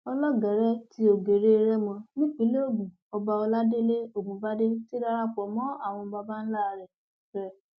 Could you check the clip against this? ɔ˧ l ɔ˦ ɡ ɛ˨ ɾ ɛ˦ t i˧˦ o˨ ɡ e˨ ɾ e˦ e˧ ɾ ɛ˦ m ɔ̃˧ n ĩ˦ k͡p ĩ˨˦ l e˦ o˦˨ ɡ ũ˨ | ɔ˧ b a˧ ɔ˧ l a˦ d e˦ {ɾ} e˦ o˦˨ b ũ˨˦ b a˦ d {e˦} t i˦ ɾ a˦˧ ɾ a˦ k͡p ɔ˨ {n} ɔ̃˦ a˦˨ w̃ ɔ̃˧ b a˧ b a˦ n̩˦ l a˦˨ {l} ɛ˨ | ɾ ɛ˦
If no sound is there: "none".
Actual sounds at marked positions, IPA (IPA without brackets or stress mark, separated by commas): l, e˦, m, ɾ